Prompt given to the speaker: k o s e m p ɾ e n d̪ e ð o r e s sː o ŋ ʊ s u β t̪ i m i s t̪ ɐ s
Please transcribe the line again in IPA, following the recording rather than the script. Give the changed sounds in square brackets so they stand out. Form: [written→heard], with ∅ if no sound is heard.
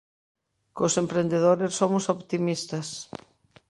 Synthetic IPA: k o s e m p ɾ e n d̪ e ð o [r→ɾ] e s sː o [ŋ→m] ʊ s [u→o] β t̪ i m i s t̪ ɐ s